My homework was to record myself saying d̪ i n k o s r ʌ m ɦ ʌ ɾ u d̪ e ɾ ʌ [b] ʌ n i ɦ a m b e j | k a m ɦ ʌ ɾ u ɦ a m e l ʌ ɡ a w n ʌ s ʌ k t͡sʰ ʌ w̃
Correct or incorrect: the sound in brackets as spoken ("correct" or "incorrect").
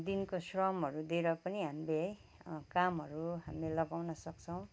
incorrect